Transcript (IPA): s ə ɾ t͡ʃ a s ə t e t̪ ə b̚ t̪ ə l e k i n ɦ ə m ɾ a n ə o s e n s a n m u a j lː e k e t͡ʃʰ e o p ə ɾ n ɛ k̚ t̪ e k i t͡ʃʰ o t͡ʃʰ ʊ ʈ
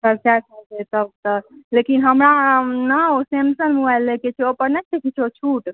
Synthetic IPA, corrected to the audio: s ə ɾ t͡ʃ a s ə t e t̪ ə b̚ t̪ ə l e k i n ɦ ə m ɾ a n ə o s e m s ə n m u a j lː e k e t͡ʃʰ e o p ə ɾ n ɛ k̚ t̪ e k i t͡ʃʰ o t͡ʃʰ u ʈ